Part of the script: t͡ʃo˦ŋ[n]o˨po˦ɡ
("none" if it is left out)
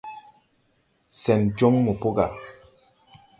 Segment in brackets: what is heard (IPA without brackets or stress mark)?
m